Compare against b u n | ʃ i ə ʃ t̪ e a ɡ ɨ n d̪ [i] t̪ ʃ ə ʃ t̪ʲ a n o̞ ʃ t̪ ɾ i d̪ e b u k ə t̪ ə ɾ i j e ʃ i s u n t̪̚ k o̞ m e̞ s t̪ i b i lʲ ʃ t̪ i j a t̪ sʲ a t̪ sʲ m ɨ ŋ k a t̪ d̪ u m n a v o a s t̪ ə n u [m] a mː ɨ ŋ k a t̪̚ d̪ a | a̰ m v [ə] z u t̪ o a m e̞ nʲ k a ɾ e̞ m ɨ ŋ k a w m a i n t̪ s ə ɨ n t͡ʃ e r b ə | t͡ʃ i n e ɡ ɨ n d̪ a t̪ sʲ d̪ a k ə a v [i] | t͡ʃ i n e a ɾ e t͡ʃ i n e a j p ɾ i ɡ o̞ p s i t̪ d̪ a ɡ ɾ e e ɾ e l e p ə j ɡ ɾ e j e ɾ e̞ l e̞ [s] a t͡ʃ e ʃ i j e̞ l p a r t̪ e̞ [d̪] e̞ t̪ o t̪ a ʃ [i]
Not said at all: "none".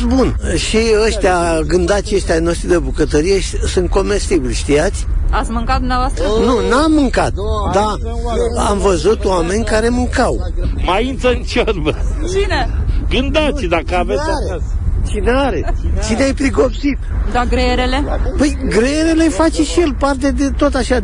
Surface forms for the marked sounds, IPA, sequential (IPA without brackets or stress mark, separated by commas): a, n, ə, e, f, d̪, a